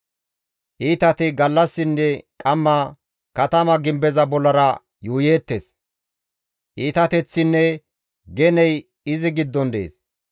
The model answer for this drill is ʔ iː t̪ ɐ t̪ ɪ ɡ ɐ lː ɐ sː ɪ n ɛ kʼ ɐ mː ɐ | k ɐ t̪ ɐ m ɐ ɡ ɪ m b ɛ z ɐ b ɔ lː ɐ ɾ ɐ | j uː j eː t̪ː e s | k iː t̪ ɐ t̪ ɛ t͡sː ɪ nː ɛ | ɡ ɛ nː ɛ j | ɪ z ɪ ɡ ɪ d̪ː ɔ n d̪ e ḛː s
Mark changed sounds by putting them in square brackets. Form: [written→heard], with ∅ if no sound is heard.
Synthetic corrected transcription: ʔ iː t̪ ɐ t̪ ɪ ɡ ɐ lː ɐ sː ɪ [n→nː] ɛ kʼ ɐ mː ɐ | k ɐ t̪ ɐ m ɐ ɡ ɪ m b ɛ z ɐ b ɔ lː ɐ ɾ ɐ | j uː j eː t̪ː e s | [k→ʔ] iː t̪ ɐ t̪ ɛ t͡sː ɪ nː ɛ | ɡ ɛ [nː→n] ɛ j | ɪ z ɪ ɡ ɪ d̪ː ɔ n d̪ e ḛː s